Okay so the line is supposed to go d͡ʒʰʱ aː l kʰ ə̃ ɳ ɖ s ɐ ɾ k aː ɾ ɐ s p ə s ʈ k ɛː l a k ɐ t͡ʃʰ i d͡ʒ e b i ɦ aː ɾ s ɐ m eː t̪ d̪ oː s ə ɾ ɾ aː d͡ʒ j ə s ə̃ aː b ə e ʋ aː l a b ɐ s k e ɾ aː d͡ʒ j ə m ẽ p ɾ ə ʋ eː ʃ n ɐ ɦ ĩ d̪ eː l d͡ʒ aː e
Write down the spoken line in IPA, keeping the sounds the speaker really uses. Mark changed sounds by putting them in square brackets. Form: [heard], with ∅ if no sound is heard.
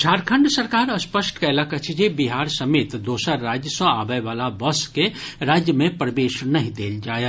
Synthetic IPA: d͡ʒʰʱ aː [ɾ] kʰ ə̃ ɳ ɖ s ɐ ɾ k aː ɾ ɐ s p ə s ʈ k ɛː l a k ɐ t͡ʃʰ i d͡ʒ e b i ɦ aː ɾ s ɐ m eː t̪ d̪ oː s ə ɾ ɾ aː d͡ʒ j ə s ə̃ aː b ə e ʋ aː l a b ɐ s k e ɾ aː d͡ʒ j ə m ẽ p ɾ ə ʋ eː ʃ n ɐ ɦ ĩ d̪ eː l d͡ʒ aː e